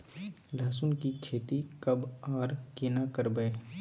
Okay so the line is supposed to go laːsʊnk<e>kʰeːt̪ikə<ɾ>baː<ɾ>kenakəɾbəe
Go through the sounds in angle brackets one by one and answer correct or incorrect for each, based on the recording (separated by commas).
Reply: incorrect, incorrect, correct